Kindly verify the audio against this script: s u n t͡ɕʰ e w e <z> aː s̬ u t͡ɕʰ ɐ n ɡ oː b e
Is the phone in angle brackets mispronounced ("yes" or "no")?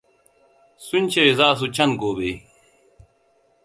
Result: no